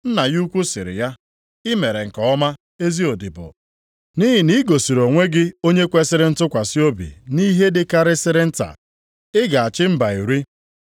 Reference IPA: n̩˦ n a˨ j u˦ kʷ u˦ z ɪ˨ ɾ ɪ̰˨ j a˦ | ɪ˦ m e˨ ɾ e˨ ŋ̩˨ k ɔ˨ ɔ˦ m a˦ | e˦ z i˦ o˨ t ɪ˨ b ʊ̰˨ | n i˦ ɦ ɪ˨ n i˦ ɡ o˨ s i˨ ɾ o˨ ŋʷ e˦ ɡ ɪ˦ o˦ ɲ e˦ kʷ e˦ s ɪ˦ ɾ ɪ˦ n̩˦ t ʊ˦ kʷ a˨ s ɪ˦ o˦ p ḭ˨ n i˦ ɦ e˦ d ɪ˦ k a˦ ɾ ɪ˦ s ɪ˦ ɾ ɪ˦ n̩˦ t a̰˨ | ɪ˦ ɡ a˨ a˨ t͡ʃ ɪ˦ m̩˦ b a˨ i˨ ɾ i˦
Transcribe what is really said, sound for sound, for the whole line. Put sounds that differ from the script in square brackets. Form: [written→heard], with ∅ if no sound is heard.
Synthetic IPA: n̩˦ n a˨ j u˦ kʷ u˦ [z→s] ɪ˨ ɾ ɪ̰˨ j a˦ | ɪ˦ m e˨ ɾ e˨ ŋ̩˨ k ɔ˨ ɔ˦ m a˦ | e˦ z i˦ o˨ [t→d] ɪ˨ b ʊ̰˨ | n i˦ ɦ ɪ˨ n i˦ ɡ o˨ s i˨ ɾ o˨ ŋʷ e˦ ɡ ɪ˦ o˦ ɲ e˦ kʷ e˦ s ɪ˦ ɾ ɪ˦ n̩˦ t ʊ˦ kʷ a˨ s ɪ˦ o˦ [p→b] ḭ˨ n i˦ ɦ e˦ d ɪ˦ k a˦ ɾ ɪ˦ s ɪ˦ ɾ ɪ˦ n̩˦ t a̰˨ | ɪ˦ ɡ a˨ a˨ t͡ʃ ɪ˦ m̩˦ b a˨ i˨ ɾ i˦